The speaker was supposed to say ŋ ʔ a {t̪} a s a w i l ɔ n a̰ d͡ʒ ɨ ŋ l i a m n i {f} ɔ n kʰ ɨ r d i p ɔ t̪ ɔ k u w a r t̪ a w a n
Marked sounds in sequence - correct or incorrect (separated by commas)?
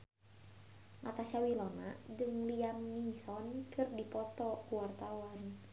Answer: correct, incorrect